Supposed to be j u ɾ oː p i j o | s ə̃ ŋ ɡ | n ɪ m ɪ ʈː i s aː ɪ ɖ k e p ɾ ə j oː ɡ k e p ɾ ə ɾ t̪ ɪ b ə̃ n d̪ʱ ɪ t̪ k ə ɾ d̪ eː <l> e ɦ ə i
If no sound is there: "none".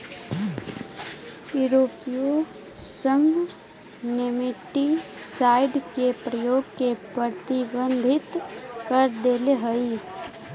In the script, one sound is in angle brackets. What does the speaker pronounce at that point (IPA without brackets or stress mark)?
l